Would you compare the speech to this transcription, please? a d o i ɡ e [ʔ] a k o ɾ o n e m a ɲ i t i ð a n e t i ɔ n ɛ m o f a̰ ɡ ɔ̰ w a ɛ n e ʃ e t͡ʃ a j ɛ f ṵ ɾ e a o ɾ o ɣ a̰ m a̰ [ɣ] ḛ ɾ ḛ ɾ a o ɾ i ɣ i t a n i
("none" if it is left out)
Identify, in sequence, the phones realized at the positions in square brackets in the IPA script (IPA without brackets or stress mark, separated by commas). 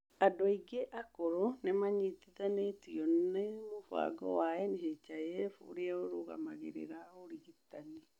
ʔ, ɣ